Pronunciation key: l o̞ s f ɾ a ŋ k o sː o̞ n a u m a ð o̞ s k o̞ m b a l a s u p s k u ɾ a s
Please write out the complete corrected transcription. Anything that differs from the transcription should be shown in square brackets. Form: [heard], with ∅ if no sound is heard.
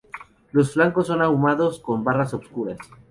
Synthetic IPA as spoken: l o̞ s f [l] a ŋ k o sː o̞ n a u m a ð o̞ s k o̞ m b a [r] a s [o] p s k u ɾ a s